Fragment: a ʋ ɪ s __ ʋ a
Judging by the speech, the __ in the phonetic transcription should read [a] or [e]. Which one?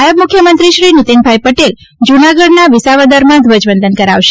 a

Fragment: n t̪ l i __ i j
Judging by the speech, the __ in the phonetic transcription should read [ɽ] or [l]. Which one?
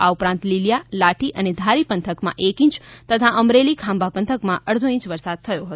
l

